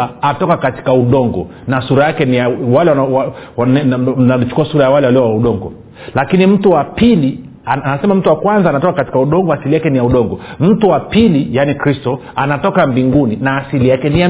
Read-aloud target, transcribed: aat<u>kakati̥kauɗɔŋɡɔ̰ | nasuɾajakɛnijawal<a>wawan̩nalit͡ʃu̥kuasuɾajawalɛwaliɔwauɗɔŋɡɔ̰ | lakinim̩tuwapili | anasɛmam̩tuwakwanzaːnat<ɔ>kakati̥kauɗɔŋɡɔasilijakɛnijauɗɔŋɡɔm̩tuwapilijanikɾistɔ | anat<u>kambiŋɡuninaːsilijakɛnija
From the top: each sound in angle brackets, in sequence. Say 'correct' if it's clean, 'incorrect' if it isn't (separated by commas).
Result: incorrect, incorrect, correct, incorrect